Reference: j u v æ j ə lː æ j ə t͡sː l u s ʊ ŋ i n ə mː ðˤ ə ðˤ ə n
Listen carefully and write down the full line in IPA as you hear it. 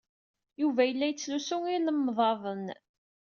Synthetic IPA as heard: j u v æ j ə lː æ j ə t͡sː l u s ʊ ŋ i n ə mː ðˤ ɑ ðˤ ə n